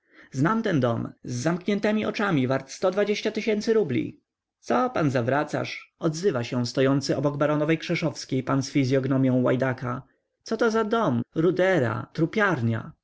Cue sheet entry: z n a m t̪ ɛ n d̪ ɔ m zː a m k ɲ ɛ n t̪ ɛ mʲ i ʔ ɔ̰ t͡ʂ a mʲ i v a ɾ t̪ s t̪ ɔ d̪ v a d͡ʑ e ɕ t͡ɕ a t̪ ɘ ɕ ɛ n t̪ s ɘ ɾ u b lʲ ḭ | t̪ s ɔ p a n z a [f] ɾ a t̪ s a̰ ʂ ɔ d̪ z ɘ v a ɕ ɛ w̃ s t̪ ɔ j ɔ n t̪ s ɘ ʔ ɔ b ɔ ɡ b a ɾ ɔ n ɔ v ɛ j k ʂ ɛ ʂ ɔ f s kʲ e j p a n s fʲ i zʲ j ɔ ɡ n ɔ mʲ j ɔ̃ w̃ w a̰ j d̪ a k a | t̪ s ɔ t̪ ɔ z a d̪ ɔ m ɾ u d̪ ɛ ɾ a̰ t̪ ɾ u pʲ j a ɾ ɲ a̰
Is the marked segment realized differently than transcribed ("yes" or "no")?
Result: yes